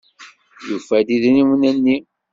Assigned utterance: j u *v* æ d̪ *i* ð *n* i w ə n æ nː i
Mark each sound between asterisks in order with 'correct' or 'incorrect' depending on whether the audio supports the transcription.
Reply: incorrect: f, correct, correct

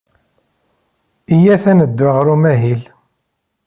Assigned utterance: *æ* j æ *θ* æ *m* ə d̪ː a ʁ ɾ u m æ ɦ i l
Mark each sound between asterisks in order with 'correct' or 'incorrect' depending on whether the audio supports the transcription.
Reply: incorrect: i, correct, incorrect: n

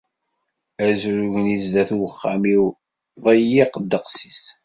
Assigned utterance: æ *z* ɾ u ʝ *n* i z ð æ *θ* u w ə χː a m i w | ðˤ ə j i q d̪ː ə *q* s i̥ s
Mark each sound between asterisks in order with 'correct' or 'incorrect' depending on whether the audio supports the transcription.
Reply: correct, correct, correct, correct

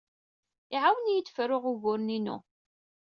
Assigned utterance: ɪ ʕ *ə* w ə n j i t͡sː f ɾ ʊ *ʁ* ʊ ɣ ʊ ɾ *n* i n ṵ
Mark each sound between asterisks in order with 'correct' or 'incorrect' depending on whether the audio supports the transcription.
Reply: incorrect: a, correct, correct

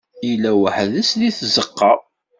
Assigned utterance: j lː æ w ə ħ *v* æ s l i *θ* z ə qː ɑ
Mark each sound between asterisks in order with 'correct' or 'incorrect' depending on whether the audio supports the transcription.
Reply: incorrect: ð, correct

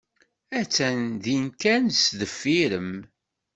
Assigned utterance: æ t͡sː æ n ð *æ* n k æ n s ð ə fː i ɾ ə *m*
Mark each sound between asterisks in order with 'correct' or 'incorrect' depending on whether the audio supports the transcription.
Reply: incorrect: i, correct

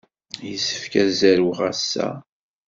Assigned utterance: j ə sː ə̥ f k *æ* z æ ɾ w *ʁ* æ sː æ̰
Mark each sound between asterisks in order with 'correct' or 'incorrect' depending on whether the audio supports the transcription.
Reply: correct, correct

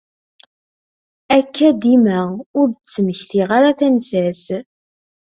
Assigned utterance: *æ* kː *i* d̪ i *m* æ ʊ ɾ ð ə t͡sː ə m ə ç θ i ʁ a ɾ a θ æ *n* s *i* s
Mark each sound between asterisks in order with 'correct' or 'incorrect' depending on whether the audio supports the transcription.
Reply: correct, incorrect: æ, correct, correct, incorrect: æ

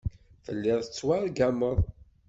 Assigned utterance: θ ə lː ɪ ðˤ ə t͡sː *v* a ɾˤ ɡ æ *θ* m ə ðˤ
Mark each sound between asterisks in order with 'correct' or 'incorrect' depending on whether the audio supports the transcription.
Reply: incorrect: w, incorrect: none

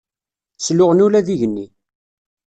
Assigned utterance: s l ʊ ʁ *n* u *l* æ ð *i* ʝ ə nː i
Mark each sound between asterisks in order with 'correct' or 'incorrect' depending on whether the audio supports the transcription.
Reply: correct, correct, correct

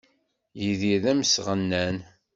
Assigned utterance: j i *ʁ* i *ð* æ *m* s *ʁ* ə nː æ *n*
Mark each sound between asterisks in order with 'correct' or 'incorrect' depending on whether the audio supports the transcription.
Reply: incorrect: ð, correct, correct, correct, correct

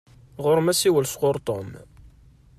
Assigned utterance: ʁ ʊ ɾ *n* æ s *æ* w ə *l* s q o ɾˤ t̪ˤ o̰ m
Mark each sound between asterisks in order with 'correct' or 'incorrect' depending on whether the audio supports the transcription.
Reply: incorrect: m, incorrect: i, correct

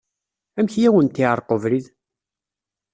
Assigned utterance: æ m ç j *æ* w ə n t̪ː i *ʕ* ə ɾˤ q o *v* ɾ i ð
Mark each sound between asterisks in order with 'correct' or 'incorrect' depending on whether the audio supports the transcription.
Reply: correct, correct, correct

